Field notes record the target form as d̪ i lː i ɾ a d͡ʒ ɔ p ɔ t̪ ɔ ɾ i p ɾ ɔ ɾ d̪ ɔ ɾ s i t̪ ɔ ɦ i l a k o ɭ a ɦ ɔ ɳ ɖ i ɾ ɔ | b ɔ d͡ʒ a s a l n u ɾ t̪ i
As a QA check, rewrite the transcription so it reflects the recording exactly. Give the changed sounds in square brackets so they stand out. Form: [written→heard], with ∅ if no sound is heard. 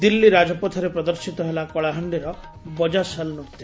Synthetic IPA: d̪ i lː i ɾ a d͡ʒ ɔ p ɔ [t̪→t̪ʰ] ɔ ɾ [i→e] p ɾ ɔ [ɾ→∅] d̪ ɔ ɾ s i t̪ ɔ ɦ [i→e] l a k [o→ɔ] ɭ a ɦ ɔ ɳ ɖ i ɾ ɔ | b ɔ d͡ʒ a s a l n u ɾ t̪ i